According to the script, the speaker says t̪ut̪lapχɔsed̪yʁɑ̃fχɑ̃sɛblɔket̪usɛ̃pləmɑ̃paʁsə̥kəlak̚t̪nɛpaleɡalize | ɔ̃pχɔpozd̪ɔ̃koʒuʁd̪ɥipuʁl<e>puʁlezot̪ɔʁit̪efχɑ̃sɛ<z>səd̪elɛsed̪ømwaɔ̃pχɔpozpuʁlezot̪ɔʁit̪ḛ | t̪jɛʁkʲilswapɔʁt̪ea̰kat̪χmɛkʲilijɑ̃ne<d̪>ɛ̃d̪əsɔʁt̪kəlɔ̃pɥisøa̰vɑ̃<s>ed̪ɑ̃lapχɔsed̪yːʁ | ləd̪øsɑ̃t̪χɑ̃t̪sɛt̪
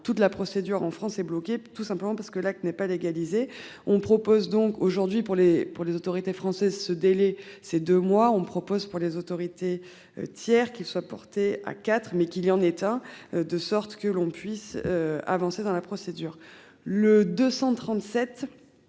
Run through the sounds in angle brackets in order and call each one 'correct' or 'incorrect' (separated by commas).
correct, correct, incorrect, correct